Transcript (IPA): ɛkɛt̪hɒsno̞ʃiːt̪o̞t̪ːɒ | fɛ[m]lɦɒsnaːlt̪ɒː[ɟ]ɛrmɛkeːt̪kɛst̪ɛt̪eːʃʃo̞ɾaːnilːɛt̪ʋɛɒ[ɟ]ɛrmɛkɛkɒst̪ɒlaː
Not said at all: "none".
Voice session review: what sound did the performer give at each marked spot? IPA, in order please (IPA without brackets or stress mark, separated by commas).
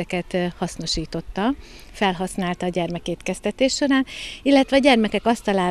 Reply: none, ɟ, ɟ